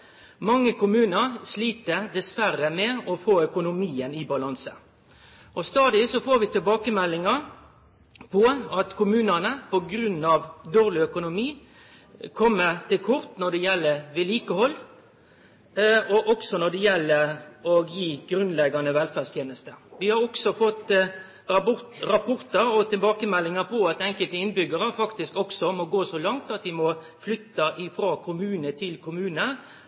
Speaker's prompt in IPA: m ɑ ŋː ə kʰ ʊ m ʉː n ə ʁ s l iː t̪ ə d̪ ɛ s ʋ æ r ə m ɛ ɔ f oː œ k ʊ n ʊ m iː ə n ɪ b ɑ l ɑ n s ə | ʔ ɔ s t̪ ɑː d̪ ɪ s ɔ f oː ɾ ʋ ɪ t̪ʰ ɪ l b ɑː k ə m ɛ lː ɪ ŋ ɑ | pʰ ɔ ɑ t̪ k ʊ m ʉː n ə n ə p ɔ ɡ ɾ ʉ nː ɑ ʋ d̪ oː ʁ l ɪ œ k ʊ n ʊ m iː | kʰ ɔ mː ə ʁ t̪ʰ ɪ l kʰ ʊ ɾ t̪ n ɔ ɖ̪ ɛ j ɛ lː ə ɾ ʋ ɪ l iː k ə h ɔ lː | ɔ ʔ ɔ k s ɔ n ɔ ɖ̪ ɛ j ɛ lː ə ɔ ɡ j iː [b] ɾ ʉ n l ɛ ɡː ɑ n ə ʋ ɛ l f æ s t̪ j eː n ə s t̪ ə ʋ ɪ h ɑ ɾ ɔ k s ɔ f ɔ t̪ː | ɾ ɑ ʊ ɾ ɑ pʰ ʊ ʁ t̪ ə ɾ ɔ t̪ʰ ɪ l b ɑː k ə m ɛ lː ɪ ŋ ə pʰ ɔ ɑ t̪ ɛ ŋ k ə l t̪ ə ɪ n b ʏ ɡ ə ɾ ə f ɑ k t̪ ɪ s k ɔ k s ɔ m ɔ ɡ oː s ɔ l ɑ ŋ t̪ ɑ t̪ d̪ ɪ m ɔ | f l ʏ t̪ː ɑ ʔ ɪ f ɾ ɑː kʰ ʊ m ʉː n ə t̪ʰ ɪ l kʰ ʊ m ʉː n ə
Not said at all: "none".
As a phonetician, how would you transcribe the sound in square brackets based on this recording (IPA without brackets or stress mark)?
ɡ